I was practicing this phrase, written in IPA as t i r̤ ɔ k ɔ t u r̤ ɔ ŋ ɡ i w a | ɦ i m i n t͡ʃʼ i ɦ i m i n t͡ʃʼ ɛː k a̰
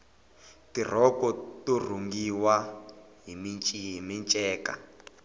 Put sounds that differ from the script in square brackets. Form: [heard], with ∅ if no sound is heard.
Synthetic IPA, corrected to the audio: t i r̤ ɔ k ɔ t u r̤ [u] ŋ ɡ i w a | ɦ i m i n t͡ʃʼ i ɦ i m i n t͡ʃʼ ɛː k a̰